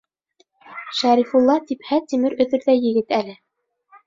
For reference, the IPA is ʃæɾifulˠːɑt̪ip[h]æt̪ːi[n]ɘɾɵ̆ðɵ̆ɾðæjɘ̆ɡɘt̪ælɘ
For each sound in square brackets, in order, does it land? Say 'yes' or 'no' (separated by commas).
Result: yes, no